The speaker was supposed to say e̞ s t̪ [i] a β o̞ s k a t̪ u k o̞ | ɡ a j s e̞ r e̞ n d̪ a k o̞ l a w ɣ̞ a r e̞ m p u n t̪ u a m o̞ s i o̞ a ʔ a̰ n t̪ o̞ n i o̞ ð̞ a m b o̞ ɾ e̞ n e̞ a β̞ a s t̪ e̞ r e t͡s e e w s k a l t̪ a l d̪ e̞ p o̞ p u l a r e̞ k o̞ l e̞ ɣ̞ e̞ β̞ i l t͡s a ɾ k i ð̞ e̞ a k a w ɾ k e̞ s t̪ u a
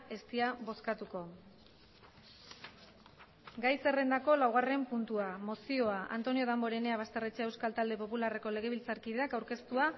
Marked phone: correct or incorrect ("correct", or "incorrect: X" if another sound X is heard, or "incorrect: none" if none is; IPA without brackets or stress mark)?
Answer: correct